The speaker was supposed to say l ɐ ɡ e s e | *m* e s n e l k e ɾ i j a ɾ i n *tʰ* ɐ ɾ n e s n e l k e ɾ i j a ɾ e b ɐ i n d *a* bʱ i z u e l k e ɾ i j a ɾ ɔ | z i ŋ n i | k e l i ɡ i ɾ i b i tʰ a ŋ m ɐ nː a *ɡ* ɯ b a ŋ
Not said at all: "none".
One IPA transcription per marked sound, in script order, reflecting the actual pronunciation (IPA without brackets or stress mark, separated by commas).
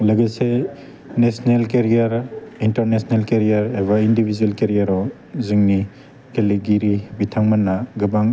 n, t, i, ɡ